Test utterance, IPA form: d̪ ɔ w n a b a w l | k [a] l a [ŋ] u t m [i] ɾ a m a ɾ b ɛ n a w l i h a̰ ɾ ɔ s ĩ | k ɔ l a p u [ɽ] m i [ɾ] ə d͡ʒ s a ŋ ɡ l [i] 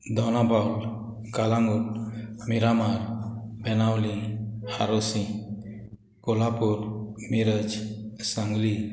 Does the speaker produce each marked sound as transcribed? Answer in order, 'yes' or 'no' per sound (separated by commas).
yes, yes, yes, no, yes, yes